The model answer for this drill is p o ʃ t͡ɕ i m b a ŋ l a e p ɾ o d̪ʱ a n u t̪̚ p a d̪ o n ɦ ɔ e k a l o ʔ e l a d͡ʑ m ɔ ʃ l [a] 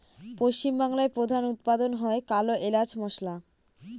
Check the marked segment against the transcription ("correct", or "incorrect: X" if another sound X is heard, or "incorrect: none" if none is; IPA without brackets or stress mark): correct